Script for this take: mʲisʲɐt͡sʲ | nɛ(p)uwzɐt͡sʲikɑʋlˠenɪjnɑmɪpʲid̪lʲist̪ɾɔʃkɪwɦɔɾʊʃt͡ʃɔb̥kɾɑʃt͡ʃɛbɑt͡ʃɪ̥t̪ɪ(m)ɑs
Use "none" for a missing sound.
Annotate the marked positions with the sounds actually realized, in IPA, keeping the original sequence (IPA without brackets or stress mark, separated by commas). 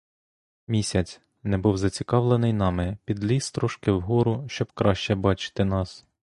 b, n